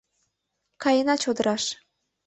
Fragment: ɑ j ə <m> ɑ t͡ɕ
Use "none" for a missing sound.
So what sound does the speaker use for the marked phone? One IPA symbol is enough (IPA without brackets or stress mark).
n